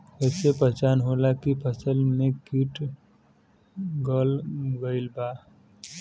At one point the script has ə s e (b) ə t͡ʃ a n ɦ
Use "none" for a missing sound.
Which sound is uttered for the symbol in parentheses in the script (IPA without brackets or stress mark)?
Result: p